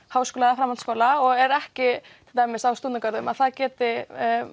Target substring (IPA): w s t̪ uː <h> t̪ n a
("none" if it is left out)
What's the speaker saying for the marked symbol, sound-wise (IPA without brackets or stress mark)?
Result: none